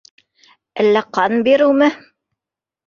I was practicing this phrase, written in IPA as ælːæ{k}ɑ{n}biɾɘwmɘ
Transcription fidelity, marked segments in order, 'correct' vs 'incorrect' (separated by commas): incorrect, correct